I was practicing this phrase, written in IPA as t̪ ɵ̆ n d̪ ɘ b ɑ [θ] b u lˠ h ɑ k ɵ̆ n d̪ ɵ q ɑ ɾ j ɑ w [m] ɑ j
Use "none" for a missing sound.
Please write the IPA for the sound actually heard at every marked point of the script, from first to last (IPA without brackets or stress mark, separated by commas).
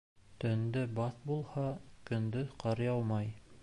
θ, m